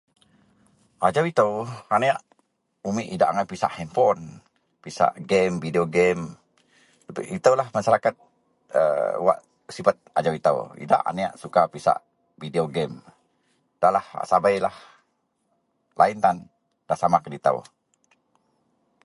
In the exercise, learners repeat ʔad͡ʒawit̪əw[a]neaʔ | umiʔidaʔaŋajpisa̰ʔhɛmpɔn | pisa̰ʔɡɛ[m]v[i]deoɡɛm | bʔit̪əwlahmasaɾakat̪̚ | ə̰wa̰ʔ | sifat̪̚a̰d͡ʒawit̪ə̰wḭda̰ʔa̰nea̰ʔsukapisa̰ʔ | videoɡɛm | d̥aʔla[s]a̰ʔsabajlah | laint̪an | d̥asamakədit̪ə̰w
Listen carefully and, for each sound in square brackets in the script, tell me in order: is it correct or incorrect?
correct, correct, correct, incorrect

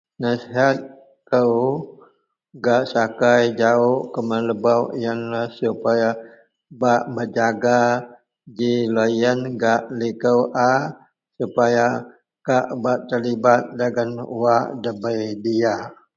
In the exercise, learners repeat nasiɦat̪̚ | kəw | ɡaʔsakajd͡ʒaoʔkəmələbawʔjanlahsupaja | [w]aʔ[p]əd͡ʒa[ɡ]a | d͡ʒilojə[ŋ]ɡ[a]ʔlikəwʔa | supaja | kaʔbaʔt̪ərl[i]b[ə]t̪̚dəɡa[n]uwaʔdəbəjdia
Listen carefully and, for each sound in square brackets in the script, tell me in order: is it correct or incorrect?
incorrect, incorrect, correct, incorrect, correct, correct, incorrect, correct

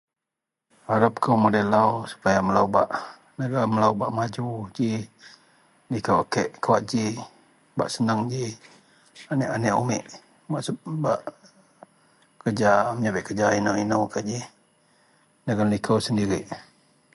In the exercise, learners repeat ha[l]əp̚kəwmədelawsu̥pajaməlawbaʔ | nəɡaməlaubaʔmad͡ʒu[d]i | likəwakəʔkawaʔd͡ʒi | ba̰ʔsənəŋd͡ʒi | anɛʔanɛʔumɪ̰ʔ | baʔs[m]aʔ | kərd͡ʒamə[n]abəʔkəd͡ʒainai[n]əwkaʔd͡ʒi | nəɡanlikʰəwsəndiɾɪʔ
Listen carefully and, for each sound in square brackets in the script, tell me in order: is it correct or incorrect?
incorrect, incorrect, incorrect, incorrect, correct

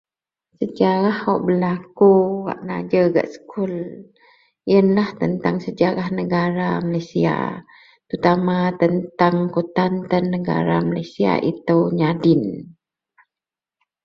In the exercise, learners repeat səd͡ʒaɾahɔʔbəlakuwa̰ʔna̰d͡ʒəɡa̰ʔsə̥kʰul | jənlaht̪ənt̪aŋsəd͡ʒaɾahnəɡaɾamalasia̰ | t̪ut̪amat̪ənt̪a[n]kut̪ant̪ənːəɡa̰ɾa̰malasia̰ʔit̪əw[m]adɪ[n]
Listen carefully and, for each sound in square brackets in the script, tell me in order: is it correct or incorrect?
incorrect, incorrect, correct

